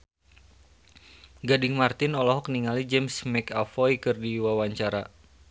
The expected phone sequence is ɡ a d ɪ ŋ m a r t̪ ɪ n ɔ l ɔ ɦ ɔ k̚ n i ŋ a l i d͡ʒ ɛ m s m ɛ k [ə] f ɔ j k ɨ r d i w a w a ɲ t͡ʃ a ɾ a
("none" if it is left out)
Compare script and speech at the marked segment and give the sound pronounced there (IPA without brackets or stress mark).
a